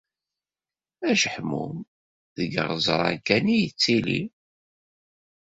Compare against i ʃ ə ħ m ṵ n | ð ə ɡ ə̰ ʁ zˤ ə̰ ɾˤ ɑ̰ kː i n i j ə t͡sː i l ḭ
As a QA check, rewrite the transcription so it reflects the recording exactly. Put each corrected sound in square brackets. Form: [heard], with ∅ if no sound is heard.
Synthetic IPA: [æ] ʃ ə ħ m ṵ [m] | ð ə ɡ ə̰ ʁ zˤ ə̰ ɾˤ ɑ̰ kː [æ] n i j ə t͡sː i l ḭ